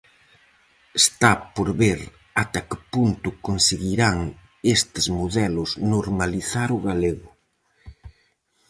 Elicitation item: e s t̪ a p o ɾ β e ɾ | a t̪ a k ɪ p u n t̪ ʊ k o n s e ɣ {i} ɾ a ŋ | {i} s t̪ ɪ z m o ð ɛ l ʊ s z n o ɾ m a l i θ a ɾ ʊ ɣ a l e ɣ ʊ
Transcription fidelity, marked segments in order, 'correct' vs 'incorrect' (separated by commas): correct, incorrect